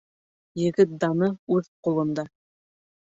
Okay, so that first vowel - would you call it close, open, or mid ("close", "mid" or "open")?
mid